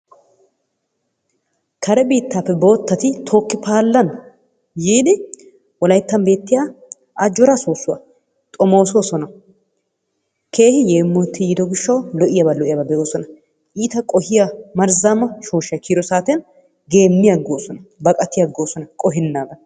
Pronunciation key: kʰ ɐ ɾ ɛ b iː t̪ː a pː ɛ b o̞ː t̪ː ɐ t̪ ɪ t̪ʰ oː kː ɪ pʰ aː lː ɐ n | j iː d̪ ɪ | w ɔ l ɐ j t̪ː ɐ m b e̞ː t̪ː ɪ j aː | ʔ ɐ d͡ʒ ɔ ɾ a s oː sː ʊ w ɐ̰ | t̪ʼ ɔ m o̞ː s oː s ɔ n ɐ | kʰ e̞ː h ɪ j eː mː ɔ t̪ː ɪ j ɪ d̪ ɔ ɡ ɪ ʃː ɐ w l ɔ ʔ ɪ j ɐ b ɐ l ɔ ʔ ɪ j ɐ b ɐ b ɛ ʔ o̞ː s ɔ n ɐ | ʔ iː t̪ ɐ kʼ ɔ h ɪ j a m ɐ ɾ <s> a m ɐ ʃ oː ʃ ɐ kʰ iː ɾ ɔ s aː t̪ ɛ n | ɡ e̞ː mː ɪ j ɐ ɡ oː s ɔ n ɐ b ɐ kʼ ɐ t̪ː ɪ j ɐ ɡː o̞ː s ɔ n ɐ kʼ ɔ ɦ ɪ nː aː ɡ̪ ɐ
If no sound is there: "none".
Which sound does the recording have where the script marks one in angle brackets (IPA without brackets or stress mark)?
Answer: z